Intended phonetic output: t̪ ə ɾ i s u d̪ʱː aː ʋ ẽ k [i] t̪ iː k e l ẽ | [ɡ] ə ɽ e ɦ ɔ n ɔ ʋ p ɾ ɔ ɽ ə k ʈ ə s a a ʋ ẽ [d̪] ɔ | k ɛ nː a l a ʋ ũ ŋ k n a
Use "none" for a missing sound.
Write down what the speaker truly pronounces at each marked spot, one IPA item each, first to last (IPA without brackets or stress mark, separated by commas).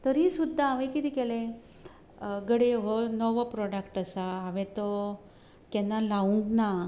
i, ɡ, t̪